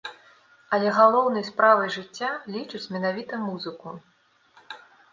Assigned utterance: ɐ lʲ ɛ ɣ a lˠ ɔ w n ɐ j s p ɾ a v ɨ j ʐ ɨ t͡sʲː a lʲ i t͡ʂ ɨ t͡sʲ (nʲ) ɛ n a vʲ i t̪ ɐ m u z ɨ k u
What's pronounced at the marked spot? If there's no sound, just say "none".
mʲ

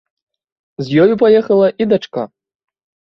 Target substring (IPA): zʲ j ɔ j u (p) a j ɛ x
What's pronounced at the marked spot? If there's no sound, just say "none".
p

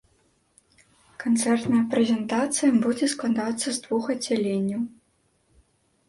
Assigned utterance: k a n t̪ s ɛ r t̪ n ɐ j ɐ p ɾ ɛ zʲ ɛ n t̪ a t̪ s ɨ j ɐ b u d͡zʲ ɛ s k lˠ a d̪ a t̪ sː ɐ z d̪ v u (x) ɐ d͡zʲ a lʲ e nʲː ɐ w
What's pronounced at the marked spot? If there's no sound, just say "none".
x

